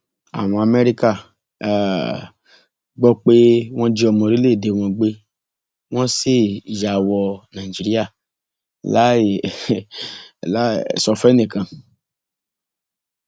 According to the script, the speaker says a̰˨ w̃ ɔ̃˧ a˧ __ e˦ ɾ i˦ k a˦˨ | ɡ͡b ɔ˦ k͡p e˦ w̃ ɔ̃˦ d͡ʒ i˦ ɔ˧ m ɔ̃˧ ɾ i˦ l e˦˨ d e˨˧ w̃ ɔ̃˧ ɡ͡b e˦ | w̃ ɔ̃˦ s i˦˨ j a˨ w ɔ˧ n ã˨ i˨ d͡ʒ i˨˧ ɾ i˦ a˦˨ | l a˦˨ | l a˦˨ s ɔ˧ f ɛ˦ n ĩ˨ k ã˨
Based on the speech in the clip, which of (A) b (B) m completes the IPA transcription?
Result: B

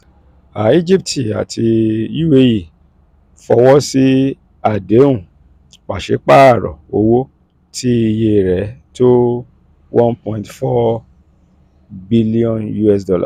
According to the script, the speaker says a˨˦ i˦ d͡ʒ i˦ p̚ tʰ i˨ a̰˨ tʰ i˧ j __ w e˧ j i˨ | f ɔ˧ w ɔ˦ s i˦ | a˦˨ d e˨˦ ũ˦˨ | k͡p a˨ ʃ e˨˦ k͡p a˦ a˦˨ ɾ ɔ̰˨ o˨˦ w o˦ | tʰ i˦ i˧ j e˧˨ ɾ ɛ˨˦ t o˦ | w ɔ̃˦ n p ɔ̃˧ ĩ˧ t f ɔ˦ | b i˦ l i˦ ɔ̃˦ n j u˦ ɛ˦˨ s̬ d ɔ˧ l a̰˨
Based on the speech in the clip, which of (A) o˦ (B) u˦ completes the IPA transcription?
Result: B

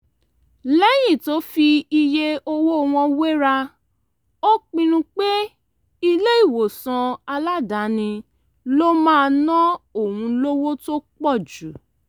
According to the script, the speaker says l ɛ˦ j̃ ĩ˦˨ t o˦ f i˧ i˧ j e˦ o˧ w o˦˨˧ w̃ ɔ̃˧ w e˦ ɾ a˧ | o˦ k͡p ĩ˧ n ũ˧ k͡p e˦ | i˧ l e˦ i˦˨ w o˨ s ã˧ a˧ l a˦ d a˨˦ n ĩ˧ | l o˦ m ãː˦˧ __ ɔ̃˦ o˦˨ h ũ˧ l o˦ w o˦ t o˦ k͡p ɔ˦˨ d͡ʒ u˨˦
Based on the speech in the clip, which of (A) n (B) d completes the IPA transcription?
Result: A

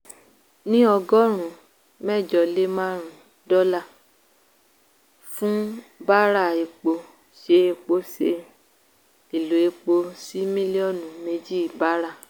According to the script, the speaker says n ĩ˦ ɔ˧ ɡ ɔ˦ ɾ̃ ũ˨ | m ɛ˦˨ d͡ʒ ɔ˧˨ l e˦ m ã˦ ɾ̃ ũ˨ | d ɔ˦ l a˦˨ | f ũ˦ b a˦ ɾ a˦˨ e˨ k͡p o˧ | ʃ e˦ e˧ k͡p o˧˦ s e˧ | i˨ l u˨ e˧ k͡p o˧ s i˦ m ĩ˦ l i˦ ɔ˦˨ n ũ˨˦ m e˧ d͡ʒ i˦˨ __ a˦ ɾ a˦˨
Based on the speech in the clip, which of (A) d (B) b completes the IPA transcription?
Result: B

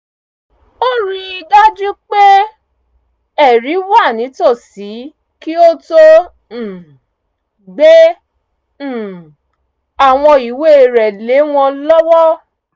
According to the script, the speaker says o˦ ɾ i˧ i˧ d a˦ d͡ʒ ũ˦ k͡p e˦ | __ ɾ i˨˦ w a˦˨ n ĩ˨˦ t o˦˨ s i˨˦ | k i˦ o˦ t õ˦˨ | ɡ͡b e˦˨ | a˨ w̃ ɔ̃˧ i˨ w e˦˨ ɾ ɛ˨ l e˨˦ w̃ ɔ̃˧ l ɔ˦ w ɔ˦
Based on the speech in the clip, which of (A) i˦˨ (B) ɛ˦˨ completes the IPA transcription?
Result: B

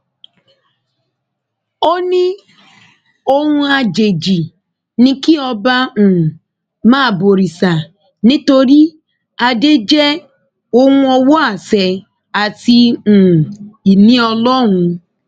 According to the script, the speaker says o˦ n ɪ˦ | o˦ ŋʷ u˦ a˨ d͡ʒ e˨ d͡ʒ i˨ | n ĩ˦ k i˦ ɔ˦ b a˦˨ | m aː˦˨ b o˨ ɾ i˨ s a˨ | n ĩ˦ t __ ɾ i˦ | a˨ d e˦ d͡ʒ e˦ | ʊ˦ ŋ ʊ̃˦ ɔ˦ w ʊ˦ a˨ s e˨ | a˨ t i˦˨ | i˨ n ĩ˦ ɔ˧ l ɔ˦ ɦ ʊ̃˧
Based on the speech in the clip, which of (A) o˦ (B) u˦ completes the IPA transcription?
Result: A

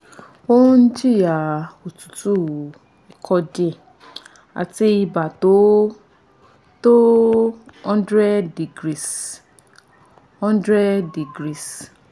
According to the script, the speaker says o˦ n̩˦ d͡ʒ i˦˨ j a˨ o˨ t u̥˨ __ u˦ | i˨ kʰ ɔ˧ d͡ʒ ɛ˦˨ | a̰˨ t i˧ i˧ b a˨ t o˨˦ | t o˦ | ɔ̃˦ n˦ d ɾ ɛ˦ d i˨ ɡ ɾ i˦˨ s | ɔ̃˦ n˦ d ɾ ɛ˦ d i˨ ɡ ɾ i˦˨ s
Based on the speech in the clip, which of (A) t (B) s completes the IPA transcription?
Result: A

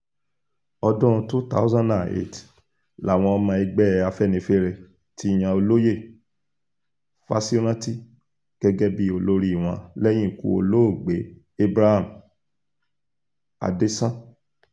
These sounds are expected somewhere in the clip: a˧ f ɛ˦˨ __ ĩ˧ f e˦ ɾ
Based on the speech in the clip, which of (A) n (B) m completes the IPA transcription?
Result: A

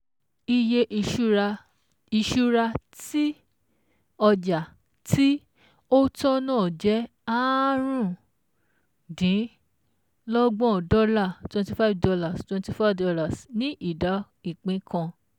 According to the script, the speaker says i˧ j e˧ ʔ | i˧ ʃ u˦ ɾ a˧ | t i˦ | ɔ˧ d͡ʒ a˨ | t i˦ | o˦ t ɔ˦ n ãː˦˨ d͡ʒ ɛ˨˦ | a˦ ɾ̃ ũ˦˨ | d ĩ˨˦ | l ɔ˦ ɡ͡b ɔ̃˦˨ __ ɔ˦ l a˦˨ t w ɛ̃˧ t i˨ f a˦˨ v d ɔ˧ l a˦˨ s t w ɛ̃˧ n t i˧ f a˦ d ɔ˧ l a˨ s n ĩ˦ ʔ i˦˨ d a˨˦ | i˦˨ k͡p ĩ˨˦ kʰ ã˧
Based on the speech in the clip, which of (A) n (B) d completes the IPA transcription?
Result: B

